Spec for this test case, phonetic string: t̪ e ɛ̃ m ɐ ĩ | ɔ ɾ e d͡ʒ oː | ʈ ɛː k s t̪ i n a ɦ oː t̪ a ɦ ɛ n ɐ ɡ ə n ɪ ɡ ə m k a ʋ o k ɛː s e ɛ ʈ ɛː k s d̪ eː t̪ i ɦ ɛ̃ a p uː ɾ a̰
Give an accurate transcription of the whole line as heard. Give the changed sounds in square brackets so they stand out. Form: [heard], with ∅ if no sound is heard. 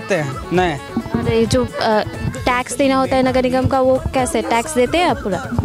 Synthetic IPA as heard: t̪ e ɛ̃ [n] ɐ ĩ | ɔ ɾ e d͡ʒ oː | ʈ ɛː k s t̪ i n a ɦ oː t̪ a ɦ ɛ n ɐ ɡ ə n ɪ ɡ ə m k a ʋ o k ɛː s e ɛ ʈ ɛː k s d̪ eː t̪ [e] ɦ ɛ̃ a p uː ɾ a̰